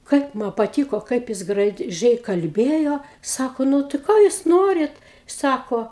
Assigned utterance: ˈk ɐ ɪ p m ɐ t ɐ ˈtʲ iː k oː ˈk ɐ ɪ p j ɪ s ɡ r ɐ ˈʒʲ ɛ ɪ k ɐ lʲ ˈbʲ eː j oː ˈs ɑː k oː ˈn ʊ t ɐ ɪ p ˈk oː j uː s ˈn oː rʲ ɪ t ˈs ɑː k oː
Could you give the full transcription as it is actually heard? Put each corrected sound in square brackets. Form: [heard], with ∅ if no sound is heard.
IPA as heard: ˈk ɐ ɪ p m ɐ [p] ɐ ˈtʲ iː k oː ˈk ɐ ɪ p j ɪ s ɡ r ɐ ˈʒʲ ɛ ɪ k ɐ lʲ ˈbʲ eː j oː ˈs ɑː k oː ˈn ʊ t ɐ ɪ [∅] ˈk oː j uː s ˈn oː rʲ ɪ t ˈs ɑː k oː